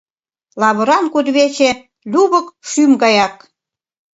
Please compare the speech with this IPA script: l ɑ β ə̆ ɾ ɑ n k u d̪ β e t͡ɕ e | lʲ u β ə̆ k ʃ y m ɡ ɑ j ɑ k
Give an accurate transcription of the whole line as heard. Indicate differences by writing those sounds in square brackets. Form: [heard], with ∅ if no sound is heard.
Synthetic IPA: l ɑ β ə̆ ɾ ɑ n k u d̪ β e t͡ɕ e | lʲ u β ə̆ k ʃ y m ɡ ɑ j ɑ k